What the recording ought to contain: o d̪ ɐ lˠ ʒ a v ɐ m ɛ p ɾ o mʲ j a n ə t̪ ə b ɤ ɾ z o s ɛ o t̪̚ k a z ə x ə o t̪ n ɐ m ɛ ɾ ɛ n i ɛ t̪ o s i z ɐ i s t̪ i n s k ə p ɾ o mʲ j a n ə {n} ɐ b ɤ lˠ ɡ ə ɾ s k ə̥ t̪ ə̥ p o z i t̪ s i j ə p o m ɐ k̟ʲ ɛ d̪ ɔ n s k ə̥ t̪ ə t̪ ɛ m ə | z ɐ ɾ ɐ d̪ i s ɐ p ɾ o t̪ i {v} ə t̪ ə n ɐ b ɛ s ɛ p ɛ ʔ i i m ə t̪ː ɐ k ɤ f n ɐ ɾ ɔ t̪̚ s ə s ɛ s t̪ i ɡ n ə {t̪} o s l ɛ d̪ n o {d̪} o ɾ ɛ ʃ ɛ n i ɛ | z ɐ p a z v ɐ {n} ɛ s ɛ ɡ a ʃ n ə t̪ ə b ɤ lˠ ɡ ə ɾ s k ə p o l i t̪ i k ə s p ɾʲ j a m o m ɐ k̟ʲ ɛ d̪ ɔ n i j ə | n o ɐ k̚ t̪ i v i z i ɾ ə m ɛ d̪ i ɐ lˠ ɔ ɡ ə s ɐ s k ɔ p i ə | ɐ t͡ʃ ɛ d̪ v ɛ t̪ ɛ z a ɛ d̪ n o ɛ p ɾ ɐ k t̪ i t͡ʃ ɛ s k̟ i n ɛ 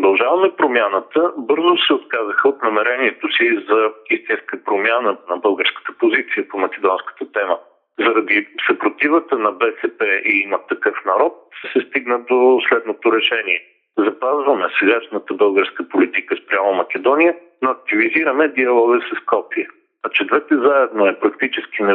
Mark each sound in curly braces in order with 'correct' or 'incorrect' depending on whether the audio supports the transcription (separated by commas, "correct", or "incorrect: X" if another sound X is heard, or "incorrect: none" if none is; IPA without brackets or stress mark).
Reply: correct, correct, incorrect: d̪, incorrect: t̪, incorrect: m